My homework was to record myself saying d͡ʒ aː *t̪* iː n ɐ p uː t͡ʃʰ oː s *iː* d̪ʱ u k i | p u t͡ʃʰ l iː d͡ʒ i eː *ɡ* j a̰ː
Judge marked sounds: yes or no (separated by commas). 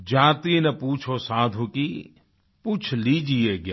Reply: yes, no, yes